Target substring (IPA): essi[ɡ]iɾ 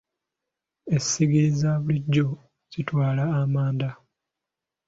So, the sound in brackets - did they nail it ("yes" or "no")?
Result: yes